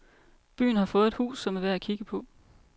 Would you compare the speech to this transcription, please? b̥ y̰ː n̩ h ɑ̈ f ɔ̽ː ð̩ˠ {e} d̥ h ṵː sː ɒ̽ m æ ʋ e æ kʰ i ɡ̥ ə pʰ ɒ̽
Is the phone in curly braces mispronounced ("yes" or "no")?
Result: no